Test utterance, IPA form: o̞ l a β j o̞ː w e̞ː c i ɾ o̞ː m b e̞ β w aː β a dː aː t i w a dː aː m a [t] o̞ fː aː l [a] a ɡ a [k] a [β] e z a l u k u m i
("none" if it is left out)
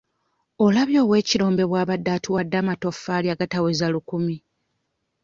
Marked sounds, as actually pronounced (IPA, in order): t, i, t, w

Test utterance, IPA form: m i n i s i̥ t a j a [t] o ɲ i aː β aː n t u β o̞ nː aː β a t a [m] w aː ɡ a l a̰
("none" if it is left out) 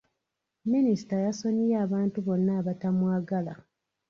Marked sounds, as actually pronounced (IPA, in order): s, m

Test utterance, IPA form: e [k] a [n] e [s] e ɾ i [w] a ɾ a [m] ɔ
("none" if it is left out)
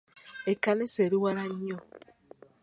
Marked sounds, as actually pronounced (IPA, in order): k, n, s, w, ɲ

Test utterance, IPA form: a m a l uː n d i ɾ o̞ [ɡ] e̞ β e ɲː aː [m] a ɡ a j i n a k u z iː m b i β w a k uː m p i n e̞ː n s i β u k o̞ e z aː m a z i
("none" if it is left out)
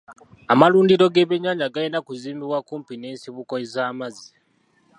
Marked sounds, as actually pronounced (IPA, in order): ɡ, ɲ

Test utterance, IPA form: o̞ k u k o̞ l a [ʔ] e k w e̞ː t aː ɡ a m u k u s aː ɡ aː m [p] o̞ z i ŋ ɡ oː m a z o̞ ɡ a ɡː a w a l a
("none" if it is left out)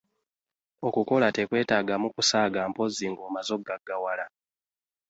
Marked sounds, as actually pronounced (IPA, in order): t, p

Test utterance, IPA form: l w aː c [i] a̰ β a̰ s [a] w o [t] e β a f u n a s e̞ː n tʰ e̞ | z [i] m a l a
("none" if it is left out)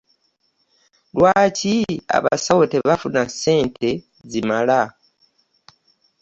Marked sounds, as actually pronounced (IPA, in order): i, a, t, i

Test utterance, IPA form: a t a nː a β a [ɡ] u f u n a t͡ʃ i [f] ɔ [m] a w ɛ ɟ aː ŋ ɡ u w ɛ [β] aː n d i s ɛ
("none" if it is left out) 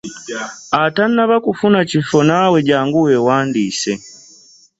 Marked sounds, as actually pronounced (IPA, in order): k, f, n, w

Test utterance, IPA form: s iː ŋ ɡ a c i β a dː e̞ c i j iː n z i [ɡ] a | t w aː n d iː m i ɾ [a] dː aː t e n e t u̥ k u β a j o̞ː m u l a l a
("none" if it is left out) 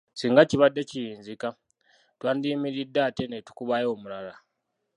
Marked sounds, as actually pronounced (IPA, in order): k, i

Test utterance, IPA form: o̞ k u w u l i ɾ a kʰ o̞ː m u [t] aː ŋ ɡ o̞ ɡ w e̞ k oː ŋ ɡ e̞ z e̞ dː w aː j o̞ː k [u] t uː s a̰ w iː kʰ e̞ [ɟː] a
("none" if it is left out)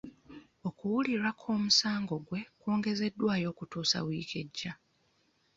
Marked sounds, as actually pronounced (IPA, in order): s, u, ɟː

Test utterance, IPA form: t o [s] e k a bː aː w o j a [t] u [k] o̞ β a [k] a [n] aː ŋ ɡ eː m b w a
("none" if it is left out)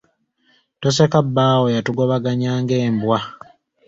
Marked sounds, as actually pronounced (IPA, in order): s, t, ɡ, ɡ, ɲ

